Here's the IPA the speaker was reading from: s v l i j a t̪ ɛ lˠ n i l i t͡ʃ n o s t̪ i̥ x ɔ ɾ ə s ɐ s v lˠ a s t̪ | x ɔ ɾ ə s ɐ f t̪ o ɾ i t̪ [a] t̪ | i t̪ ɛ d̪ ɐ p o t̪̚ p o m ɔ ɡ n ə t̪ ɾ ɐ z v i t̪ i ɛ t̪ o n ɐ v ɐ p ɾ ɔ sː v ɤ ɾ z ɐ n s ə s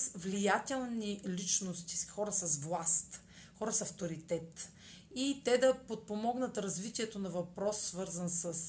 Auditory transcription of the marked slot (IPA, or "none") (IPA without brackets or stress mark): ɛ